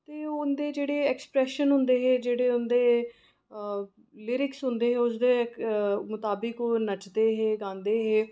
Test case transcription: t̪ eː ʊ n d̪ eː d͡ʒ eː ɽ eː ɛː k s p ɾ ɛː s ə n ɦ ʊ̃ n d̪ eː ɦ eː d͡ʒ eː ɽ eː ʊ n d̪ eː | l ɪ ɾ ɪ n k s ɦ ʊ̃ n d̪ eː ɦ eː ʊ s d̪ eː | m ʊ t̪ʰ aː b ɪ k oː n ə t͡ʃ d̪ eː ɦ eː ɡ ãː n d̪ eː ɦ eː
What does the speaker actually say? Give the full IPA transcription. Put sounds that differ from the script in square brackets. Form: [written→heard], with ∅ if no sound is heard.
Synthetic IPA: t̪ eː ʊ n d̪ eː d͡ʒ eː ɽ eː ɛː k s p ɾ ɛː [s→ʃ] ə n ɦ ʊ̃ n d̪ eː ɦ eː d͡ʒ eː ɽ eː ʊ n d̪ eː | l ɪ ɾ ɪ [n→∅] k s ɦ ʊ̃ n d̪ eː ɦ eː ʊ s d̪ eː | m ʊ [t̪ʰ→t̪] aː b ɪ k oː n ə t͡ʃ d̪ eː ɦ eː ɡ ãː n d̪ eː ɦ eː